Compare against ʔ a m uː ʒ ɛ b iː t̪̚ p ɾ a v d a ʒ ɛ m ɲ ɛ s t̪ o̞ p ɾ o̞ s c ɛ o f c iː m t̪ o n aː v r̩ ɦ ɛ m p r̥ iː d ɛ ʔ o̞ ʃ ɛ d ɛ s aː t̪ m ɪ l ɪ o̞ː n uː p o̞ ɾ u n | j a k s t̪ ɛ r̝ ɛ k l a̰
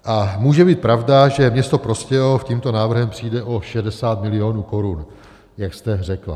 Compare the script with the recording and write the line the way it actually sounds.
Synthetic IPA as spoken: ʔ a m uː ʒ ɛ b iː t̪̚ p ɾ a v d a ʒ ɛ m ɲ ɛ s t̪ o̞ p ɾ o̞ s c ɛ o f c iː m t̪ o n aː v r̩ ɦ ɛ m p r̥ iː d ɛ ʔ o̞ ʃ ɛ d ɛ s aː t̪ m ɪ l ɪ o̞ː n uː k o̞ ɾ u n | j a k s t̪ ɛ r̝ ɛ k l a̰